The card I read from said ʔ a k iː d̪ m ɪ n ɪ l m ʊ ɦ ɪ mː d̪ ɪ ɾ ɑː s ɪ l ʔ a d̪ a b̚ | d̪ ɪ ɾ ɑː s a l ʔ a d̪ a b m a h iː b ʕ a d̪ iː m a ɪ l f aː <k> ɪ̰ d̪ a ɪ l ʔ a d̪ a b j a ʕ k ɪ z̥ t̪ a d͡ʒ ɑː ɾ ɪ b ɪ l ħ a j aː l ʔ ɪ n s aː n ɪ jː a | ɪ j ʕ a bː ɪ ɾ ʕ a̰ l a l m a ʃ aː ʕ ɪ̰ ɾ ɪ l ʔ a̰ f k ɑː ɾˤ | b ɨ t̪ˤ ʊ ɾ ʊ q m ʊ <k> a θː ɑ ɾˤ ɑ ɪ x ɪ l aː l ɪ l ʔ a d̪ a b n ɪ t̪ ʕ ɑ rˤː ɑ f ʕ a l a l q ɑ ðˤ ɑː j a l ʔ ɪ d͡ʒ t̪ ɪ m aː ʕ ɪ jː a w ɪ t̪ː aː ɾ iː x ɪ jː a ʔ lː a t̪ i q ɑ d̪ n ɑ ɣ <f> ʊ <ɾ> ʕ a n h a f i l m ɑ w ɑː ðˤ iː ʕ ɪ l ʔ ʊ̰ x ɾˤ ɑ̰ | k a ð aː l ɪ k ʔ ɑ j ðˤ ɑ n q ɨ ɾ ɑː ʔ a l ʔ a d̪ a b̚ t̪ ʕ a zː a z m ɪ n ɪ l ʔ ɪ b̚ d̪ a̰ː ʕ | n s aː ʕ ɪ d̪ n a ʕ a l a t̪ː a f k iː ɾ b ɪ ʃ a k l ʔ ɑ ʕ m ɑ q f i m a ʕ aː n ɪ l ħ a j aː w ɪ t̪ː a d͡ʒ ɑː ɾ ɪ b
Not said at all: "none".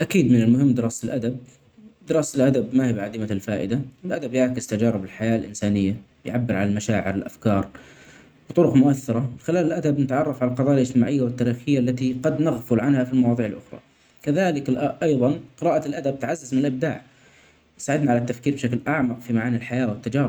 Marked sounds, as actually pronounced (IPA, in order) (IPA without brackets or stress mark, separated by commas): ʔ, ʔ, f, l